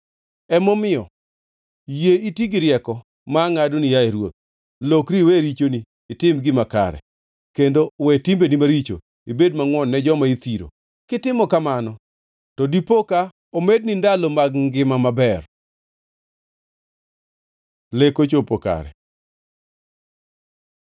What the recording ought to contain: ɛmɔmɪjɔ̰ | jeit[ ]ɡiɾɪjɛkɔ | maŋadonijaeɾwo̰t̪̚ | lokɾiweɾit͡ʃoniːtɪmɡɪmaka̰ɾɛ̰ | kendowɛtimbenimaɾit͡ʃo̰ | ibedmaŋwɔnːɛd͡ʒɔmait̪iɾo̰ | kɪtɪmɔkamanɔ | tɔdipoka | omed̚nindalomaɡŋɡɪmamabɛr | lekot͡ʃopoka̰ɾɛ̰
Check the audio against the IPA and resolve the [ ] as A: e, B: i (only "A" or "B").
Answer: B